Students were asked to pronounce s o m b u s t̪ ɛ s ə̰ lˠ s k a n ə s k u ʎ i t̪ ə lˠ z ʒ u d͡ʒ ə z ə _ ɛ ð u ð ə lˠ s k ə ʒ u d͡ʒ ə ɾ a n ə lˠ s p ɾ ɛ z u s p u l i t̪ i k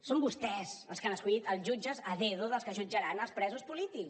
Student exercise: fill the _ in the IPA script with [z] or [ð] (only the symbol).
ð